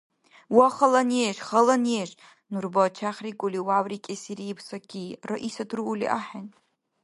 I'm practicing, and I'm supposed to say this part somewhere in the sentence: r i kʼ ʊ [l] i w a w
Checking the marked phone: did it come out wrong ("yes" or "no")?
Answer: no